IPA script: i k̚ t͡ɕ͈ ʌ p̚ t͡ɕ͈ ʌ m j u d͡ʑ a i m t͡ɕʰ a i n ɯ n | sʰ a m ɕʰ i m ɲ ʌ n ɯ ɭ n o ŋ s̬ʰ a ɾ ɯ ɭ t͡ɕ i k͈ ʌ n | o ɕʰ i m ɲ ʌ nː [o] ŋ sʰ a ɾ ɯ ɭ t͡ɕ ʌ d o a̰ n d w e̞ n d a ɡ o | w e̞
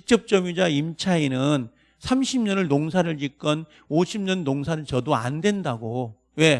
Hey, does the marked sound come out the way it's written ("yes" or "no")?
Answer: yes